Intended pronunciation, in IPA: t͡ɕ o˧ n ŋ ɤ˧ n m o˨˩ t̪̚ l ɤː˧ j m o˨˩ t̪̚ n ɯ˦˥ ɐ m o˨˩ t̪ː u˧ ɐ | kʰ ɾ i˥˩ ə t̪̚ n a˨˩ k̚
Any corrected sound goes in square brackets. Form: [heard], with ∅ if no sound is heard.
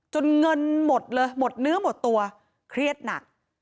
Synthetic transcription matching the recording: t͡ɕ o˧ n ŋ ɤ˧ n m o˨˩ t̪̚ l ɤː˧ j m o˨˩ t̪̚ n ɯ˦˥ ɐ m o˨˩ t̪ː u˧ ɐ | kʰ ɾ i˥˩ ə t̪̚ n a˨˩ k̚